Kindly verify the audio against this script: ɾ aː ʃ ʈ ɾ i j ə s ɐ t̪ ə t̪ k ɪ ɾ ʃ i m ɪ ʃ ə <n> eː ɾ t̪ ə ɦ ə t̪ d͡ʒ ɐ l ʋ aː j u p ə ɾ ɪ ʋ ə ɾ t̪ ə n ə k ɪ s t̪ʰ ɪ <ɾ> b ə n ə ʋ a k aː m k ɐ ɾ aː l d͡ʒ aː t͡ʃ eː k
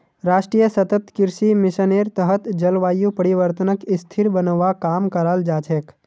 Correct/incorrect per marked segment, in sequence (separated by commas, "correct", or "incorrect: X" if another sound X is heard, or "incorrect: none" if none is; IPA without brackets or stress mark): correct, correct